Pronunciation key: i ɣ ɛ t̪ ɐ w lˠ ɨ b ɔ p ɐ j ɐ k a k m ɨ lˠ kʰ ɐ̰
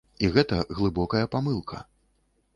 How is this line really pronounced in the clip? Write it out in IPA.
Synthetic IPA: i ɣ ɛ t̪ ɐ ɣ lˠ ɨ b ɔ k ɐ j ɐ p a m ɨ lˠ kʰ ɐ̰